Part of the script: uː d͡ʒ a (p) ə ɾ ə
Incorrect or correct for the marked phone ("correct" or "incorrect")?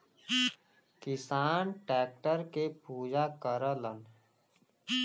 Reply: incorrect